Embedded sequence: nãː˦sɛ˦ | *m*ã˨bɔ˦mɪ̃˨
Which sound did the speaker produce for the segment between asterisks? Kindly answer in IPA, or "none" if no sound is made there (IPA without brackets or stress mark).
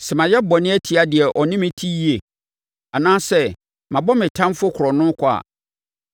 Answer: m